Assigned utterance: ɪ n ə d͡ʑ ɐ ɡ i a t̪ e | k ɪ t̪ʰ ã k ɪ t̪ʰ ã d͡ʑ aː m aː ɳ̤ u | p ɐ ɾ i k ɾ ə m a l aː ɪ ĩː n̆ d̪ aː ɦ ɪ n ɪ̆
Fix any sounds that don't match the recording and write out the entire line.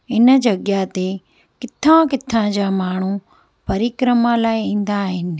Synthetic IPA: ɪ n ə d͡ʑ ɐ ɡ j a t̪ e | k ɪ t̪ʰ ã k ɪ t̪ʰ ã d͡ʑ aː m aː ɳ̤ u | p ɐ ɾ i k ɾ ə m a l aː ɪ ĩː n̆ d̪ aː ɦ ɪ n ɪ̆